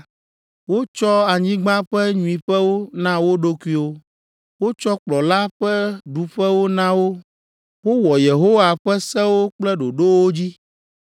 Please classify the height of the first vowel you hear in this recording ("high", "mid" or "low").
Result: mid